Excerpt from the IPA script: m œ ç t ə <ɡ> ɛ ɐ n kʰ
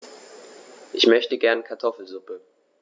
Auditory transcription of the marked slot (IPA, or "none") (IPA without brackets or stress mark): ɡ